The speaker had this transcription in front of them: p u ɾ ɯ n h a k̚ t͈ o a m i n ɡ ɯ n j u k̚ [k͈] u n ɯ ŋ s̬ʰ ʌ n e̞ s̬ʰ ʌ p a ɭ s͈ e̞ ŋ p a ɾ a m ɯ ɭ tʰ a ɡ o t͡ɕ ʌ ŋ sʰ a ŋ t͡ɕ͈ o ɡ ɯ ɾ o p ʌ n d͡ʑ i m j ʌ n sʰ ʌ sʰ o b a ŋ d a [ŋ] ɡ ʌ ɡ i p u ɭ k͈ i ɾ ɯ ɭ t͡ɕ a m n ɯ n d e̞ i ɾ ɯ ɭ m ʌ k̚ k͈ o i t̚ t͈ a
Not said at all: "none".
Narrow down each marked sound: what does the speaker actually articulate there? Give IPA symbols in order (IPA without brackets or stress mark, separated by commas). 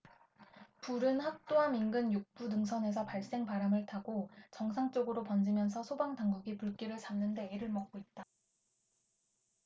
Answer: p͈, ŋ